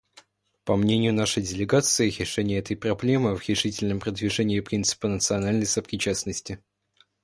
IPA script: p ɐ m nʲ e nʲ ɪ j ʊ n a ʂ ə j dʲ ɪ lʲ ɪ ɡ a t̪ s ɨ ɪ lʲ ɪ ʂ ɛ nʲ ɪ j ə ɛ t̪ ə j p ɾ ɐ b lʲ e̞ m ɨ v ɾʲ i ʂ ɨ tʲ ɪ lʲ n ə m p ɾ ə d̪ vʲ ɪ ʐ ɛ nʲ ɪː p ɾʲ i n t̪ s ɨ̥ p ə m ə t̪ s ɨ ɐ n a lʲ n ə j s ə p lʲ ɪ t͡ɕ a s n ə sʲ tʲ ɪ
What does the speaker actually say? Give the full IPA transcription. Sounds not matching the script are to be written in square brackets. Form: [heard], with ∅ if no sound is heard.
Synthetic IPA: p ɐ m nʲ e nʲ ɪ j ʊ n a ʂ ə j dʲ ɪ lʲ ɪ ɡ a t̪ s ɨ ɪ [ɾʲ] ɪ ʂ ɛ nʲ ɪ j ə ɛ t̪ ə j p ɾ ɐ b lʲ e̞ m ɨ v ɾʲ [ɪ] ʂ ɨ tʲ ɪ lʲ n ə m p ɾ ə d̪ vʲ ɪ ʐ ɛ nʲ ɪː p ɾʲ i n t̪ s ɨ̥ p ə [n] ə t̪ s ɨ ɐ n a lʲ n ə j s ə p [ɾʲ] ɪ t͡ɕ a s n ə sʲ tʲ ɪ